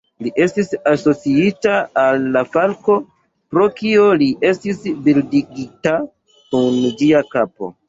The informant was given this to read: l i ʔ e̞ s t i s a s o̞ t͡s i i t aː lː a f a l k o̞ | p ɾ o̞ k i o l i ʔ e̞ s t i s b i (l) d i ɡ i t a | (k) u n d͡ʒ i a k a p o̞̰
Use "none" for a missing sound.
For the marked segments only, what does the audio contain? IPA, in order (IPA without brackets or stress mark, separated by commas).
l, k